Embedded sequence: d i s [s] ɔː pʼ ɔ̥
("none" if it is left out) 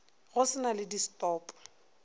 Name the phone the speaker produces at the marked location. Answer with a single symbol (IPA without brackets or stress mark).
t